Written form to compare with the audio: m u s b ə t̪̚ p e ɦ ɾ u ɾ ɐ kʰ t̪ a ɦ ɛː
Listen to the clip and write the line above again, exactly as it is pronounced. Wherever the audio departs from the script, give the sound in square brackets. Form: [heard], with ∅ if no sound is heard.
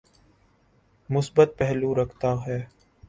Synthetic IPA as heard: m [ʊ] s b ə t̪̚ p [ɛ] ɦ [l] u ɾ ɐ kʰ t̪ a ɦ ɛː